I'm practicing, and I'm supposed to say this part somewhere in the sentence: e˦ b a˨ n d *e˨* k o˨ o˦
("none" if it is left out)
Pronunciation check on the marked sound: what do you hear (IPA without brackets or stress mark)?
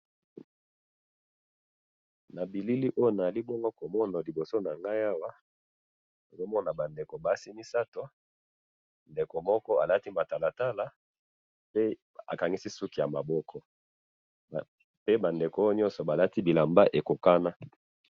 e˨